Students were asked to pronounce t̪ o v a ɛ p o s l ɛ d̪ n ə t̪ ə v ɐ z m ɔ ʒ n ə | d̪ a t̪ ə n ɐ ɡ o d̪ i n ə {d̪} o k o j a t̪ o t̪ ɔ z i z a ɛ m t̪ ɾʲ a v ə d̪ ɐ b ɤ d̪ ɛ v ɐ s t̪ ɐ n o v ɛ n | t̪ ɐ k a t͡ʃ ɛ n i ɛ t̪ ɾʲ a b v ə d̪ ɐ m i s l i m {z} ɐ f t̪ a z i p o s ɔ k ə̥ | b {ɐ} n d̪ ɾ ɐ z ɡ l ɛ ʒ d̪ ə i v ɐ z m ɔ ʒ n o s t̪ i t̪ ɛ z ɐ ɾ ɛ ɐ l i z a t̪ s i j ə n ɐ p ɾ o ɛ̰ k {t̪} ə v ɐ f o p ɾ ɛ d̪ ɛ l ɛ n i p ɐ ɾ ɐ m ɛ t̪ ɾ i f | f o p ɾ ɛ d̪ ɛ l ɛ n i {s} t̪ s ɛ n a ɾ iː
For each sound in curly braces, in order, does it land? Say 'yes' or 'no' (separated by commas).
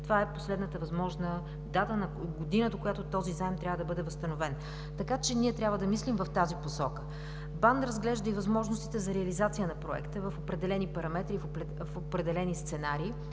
yes, no, no, yes, yes